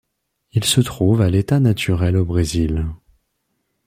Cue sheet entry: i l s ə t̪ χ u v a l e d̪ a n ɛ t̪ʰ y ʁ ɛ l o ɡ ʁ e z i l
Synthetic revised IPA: i l s ə t̪ χ u v a l e t̪ a n a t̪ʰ y ʁ ɛ l o b ʁ e z i l